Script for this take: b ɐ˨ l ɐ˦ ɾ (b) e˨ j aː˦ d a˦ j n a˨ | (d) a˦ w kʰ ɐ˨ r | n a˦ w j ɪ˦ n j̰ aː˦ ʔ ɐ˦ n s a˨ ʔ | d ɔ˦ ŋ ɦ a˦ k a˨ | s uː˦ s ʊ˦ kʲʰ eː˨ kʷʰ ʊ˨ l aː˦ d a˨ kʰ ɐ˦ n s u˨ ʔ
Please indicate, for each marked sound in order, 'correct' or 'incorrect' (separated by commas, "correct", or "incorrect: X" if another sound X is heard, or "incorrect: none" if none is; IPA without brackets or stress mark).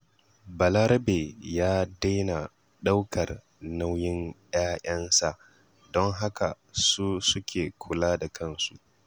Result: correct, incorrect: ɗ